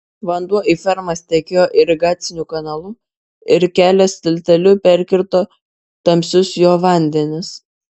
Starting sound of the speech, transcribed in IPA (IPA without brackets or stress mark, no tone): ʋ